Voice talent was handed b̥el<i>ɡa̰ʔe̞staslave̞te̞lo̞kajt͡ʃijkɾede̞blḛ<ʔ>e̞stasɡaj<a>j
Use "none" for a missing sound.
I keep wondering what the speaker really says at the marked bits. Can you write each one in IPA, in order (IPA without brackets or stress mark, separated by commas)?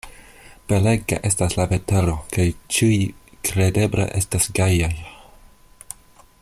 e, ʔ, a